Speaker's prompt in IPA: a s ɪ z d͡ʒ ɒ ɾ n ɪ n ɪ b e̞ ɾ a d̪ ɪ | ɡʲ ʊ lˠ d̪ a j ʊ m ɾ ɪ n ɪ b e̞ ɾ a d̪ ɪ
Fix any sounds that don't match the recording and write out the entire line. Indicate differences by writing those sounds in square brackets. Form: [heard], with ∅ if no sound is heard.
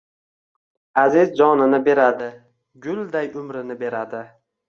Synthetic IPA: a [z] ɪ z d͡ʒ ɒ [∅] n ɪ n ɪ b e̞ ɾ a d̪ ɪ | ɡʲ ʊ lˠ d̪ a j ʊ m ɾ ɪ n ɪ b e̞ ɾ a d̪ ɪ